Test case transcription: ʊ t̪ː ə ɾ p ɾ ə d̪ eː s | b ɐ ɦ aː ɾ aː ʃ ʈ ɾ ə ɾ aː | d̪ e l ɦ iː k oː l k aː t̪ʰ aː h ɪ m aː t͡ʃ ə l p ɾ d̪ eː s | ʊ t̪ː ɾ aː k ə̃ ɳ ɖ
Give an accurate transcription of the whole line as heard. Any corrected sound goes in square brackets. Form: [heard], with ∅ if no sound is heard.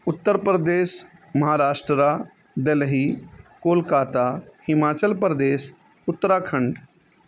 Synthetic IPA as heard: ʊ t̪ː ə ɾ p ɾ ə d̪ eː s | [m] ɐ ɦ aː ɾ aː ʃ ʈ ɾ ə ɾ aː | d̪ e l ɦ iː k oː l k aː [t̪] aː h ɪ m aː t͡ʃ ə l p ɾ d̪ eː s | ʊ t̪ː ɾ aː [kʰ] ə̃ ɳ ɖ